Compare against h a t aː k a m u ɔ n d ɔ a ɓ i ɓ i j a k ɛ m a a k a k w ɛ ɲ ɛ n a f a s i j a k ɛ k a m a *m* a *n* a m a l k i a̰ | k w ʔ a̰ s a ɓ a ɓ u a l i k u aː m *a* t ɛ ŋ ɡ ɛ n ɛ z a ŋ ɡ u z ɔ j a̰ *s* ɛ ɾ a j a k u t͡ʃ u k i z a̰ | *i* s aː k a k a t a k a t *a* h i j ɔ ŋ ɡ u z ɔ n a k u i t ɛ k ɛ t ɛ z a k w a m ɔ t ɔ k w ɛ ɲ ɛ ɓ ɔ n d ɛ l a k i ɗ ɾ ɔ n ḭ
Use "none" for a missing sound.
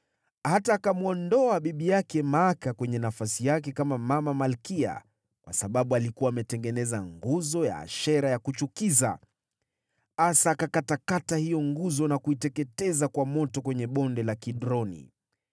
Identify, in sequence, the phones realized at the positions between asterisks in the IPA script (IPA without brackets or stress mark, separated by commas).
m, m, ɛ, ʃ, a, a